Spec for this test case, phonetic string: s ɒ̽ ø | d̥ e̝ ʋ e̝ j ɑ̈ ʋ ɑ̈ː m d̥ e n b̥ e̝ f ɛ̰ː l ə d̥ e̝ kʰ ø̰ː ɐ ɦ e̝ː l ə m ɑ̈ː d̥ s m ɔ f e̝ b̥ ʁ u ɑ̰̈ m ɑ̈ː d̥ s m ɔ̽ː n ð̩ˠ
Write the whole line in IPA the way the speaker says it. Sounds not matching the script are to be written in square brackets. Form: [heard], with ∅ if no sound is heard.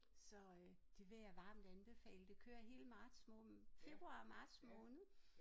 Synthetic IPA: s ɒ̽ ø | d̥ e̝ ʋ e̝ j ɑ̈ ʋ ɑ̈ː m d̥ [æ] n b̥ e̝ f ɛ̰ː l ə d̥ e̝ kʰ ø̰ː ɐ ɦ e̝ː l ə m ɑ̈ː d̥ s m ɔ f e̝ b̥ ʁ u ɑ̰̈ m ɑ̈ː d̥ s m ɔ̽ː n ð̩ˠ

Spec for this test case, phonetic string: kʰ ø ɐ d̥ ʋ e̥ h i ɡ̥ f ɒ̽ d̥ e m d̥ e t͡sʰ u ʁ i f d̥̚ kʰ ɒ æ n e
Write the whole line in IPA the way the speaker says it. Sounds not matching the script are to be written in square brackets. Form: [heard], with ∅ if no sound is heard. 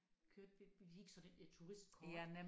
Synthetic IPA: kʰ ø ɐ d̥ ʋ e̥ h i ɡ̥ [s] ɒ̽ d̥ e [n] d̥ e t͡sʰ u ʁ i [s] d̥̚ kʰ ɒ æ n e

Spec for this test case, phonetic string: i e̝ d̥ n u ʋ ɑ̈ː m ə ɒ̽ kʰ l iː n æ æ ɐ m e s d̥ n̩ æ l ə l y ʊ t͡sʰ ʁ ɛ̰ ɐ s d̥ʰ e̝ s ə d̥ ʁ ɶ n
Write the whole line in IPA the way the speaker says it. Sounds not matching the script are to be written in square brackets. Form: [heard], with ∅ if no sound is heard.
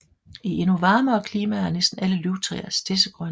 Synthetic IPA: i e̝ [∅] n u ʋ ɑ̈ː m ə ɒ̽ kʰ l iː [m] æ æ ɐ [n] e s d̥ n̩ æ l ə l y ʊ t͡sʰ ʁ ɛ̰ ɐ s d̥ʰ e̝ s ə [ɡ̥] ʁ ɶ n

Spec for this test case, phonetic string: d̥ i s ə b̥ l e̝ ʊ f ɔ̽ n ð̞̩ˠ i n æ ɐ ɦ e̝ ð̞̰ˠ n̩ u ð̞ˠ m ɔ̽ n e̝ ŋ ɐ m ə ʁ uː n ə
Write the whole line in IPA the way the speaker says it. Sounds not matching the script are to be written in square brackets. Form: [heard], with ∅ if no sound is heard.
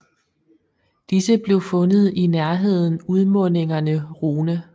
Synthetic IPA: d̥ i s ə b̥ l e̝ ʊ f ɔ̽ n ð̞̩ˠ i n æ ɐ ɦ e̝ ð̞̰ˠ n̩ u ð̞ˠ m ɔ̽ n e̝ ŋ ɐ [n] ə ʁ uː n ə

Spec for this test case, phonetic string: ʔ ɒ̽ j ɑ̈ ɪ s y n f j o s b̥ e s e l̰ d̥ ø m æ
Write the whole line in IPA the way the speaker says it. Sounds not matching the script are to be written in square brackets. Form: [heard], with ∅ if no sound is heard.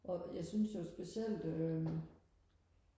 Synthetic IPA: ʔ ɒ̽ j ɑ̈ ɪ s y n [s] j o s b̥ e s e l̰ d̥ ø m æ

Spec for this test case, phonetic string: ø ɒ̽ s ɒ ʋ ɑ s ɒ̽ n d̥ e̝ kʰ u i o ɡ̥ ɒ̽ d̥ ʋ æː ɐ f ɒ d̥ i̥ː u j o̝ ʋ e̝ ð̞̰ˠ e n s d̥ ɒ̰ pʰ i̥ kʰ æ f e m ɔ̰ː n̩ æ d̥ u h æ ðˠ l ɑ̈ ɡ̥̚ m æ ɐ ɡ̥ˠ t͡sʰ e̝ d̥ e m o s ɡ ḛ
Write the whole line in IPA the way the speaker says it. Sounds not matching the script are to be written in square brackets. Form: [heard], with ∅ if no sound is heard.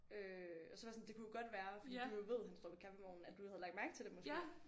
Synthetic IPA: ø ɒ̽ s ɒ ʋ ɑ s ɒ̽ n d̥ e̝ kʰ u [j] o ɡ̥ ɒ̽ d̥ ʋ æː ɐ f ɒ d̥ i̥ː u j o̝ ʋ e̝ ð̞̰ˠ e n s d̥ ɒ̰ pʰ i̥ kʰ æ f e m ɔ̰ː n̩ æ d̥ u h æ ðˠ l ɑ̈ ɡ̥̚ m æ ɐ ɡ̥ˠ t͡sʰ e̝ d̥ e m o s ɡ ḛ

